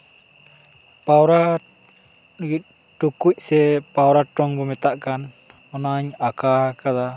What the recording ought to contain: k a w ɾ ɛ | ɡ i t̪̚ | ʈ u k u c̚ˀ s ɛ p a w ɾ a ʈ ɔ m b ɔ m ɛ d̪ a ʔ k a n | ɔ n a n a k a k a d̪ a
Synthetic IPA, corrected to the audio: p a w ɾ a | ɡ i t̪̚ | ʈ u k u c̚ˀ s ɛ p a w ɾ a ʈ ɔ ŋ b ɔ m ɛ t̪ a ʔ k a n | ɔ n a ɲ a k a k a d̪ a